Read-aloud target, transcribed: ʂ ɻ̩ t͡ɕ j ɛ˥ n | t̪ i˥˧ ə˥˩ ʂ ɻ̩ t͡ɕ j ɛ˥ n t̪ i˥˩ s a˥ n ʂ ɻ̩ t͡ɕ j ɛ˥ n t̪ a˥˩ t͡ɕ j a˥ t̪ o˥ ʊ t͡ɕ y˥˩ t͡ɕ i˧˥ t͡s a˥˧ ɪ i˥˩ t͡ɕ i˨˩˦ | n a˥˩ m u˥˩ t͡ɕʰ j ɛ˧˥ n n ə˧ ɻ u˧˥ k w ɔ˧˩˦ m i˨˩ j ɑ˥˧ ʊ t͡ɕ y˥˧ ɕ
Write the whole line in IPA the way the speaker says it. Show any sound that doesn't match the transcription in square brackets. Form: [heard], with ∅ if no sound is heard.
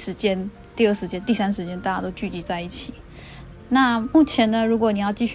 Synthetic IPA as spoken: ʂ ɻ̩ t͡ɕ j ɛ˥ n | t̪ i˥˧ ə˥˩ ʂ ɻ̩ t͡ɕ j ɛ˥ n t̪ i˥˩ s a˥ n ʂ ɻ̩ t͡ɕ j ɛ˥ n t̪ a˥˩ t͡ɕ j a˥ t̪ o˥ ʊ t͡ɕ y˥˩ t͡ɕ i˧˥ t͡s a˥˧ ɪ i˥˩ [t͡ɕʰ] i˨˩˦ | n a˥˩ m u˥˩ t͡ɕʰ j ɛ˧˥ n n ə˧ ɻ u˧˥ k w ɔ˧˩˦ [n] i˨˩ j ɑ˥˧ ʊ t͡ɕ [i˥˧] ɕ